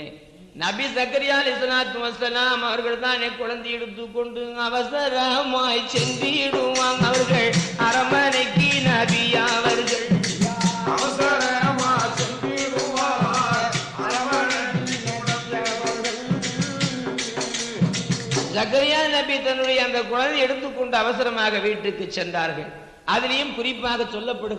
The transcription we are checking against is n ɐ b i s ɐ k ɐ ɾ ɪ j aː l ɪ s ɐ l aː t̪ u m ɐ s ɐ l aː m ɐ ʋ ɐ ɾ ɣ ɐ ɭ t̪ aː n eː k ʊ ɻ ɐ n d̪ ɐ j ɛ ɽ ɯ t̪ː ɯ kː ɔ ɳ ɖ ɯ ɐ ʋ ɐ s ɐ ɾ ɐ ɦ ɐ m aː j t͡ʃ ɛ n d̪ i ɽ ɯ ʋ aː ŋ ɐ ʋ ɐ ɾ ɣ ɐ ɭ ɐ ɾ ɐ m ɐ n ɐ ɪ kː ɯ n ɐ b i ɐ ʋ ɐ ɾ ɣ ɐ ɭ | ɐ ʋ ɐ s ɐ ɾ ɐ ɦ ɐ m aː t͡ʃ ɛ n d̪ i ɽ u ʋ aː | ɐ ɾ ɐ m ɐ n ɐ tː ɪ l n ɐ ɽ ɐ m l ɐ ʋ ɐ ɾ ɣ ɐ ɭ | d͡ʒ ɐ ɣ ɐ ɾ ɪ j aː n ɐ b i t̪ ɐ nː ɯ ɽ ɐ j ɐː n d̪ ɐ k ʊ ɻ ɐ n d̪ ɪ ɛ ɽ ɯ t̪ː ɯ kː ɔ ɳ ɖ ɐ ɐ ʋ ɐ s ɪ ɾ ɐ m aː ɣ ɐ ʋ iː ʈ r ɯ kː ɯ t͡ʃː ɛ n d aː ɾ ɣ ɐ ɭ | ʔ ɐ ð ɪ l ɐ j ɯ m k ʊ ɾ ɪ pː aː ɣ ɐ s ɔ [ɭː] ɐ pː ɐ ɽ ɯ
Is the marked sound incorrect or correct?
incorrect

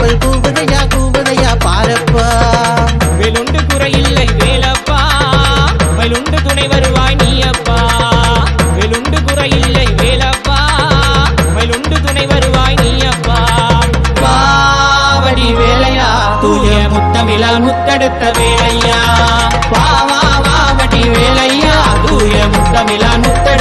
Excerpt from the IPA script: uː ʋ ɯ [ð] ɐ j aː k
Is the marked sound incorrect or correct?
correct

